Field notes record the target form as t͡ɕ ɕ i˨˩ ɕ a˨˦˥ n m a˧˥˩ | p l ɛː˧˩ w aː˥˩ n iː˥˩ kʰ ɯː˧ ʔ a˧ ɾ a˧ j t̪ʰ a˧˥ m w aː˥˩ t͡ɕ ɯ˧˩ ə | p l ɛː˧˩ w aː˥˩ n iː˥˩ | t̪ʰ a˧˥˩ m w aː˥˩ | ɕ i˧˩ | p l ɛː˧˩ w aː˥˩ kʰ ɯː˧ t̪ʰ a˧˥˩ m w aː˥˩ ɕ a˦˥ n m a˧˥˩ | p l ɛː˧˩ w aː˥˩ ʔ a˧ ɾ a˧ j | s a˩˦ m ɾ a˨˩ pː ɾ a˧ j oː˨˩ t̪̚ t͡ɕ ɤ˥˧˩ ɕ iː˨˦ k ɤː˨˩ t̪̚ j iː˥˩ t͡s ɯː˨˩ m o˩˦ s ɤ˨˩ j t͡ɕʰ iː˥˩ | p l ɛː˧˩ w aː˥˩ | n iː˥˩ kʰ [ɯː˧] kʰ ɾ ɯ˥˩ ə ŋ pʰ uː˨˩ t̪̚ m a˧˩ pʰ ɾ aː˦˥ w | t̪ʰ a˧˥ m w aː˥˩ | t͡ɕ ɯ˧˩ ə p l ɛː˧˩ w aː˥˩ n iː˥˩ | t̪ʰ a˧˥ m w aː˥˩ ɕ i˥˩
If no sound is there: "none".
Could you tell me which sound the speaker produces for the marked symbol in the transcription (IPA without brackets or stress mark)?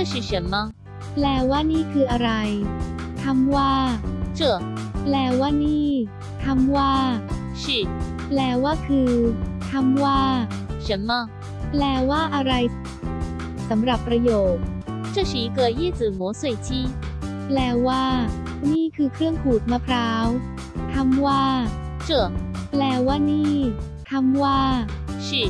ɯː˧